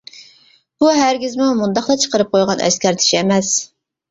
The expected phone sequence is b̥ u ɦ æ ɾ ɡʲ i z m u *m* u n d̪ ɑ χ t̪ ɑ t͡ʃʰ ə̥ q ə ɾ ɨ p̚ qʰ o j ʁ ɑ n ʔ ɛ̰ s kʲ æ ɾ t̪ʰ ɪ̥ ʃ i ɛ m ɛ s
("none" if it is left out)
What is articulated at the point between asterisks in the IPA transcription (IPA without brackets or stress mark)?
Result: m